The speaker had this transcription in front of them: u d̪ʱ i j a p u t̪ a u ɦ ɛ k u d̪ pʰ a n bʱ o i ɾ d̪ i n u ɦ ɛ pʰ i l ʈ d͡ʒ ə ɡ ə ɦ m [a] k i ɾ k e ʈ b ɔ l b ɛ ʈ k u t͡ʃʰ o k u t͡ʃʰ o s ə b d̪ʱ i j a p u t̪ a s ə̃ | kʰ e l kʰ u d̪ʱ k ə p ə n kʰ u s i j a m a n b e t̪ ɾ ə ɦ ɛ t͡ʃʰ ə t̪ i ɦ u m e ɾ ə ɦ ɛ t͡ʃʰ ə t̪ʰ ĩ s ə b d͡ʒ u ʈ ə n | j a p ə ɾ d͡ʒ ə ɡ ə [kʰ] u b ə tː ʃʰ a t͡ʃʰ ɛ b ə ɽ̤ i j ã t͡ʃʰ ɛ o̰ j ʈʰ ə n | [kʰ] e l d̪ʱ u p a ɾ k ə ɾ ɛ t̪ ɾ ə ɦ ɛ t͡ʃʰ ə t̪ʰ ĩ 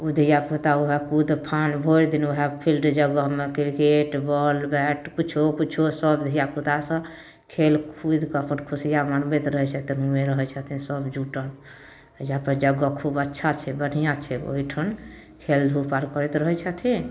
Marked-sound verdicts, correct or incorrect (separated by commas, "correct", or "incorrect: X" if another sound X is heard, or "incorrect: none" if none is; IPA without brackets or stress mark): incorrect: e, correct, correct